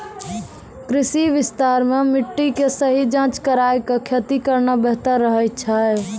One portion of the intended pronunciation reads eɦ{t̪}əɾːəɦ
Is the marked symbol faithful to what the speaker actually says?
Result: yes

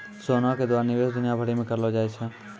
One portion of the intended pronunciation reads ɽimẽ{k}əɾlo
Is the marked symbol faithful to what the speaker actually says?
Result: yes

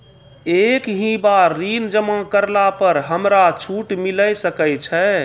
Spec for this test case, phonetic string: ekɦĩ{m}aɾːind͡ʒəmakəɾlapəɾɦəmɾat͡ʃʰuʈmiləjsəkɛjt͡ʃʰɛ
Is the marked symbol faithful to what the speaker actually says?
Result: no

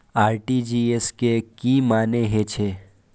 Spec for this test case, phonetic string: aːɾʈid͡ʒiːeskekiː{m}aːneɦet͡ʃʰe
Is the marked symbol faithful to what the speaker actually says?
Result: yes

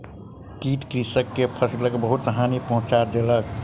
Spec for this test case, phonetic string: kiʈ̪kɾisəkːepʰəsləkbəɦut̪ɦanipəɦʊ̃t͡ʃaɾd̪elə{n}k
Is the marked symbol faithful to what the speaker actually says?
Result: no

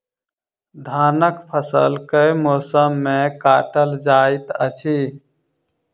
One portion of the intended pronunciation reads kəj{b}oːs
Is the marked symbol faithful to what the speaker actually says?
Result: no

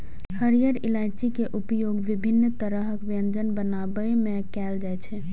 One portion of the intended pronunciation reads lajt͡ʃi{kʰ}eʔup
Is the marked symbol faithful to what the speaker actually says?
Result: no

